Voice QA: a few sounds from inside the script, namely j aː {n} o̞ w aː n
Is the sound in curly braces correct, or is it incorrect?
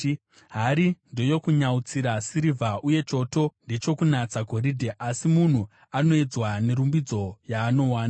correct